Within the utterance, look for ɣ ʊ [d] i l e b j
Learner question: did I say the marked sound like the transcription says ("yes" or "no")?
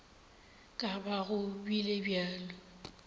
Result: no